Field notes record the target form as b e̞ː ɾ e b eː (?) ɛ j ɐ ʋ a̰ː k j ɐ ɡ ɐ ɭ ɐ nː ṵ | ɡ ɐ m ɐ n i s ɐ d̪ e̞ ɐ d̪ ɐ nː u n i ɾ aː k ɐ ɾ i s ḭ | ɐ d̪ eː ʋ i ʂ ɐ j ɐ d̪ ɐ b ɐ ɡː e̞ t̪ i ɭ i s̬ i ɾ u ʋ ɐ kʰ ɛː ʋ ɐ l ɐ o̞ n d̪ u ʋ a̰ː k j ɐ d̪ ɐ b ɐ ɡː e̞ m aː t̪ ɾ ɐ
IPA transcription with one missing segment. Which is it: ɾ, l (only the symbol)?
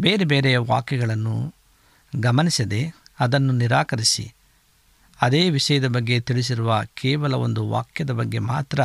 ɾ